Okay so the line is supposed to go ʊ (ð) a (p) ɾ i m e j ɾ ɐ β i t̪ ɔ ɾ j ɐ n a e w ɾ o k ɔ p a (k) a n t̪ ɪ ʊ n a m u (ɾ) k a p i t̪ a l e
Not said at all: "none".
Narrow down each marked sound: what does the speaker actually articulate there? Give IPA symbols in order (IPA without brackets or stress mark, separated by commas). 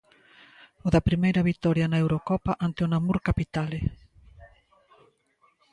ð, p, ʔ, ɾ